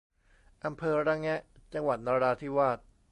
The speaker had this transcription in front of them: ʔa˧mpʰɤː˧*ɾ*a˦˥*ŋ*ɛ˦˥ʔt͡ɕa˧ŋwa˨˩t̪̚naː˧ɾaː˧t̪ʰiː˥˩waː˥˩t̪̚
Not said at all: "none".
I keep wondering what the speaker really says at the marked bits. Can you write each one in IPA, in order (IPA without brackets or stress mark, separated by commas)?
ɾ, ŋ